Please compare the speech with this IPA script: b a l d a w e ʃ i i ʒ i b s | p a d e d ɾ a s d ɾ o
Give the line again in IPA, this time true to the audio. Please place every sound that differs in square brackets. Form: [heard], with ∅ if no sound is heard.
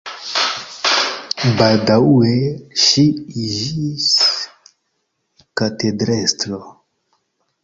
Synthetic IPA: b a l d a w e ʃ i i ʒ i [∅] s | [k] a [t] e d ɾ [e] s [t] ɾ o